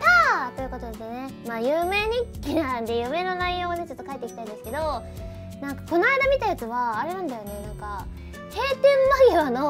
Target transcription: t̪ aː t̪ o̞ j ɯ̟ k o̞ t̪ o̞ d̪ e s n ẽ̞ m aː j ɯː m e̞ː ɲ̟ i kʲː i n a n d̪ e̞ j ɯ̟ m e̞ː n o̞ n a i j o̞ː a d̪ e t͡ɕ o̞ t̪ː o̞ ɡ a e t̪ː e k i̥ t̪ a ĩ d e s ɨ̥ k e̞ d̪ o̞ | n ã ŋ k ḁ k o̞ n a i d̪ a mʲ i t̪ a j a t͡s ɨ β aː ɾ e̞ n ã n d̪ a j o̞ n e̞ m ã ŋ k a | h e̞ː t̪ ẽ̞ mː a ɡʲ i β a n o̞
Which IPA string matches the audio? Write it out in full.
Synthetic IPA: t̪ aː t̪ o̞ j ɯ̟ k o̞ t̪ o̞ d̪ e s n e̞ m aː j ɯː m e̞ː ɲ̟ i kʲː i n a n d̪ e̞ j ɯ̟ m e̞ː n o̞ n a i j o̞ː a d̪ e t͡ɕ o̞ t̪ː o̞ k a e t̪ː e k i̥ t̪ a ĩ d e s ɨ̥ k e̞ d̪ o̞ | n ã ŋ k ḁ k o̞ n a i d̪ a mʲ i t̪ a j a t͡s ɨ β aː ɾ e̞ n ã n d̪ a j o̞ n e̞ n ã ŋ k a | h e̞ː t̪ ẽ̞ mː a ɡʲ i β a n o̞